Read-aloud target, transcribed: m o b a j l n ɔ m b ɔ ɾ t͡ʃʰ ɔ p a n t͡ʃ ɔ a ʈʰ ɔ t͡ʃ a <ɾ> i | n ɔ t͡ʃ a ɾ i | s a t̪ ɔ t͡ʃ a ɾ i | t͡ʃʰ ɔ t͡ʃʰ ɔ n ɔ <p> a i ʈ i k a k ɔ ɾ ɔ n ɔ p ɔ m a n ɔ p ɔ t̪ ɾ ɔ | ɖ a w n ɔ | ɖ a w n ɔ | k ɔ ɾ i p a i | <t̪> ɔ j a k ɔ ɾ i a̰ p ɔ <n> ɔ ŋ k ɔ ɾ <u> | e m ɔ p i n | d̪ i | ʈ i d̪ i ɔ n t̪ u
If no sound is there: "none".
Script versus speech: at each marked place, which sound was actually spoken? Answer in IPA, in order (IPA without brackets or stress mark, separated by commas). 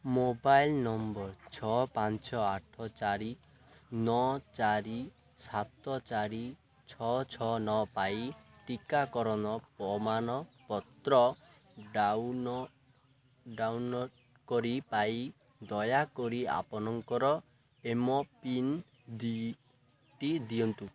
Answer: ɾ, p, d̪, n, ɔ